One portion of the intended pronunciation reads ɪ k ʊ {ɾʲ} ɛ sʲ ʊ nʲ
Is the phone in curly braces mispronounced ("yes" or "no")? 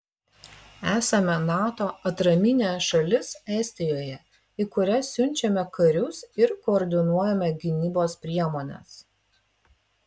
no